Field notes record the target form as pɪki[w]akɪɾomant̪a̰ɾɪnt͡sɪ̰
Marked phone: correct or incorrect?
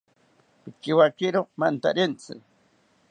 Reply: correct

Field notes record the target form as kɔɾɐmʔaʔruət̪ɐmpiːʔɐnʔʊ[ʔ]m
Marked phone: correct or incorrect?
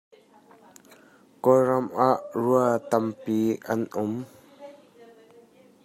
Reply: incorrect: none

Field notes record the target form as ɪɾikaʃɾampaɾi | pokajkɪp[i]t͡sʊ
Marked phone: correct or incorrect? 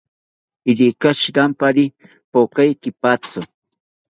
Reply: incorrect: a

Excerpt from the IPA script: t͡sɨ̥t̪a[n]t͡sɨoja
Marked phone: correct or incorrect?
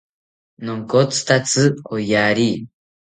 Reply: incorrect: none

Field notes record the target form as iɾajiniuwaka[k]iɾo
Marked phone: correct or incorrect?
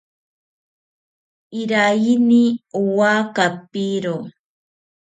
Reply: incorrect: p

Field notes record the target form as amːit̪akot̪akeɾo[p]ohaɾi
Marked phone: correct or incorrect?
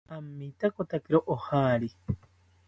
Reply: incorrect: ʔ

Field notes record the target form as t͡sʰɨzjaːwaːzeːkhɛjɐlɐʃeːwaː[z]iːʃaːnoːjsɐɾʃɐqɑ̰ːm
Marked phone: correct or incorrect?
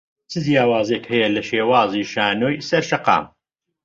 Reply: correct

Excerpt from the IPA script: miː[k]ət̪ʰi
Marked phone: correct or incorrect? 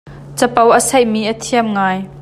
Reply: incorrect: ʔ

